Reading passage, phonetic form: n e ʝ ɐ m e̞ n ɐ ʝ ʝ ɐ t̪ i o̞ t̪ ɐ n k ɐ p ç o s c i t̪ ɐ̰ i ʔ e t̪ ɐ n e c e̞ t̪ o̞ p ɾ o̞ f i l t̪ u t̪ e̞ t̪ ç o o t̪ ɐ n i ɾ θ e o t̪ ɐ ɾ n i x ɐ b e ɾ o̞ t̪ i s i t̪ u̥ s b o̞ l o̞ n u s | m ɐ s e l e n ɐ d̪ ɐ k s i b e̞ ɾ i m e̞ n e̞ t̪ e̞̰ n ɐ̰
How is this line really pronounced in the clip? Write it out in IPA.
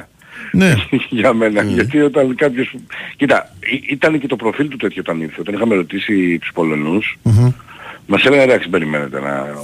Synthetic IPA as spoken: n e ʝ ɐ m e̞ n ɐ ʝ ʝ ɐ t̪ i o̞ t̪ ɐ n k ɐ p ç o s c i t̪ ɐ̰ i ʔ i t̪ ɐ n e c e̞ t̪ o̞ p ɾ o̞ f i l t̪ u t̪ e̞ t̪ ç o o t̪ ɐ n i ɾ θ e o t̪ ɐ n i x ɐ m e ɾ o̞ t̪ i s i t̪ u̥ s p o̞ l o̞ n u s | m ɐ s e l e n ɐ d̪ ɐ k s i b e̞ ɾ i m e̞ n e̞ t̪ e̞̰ n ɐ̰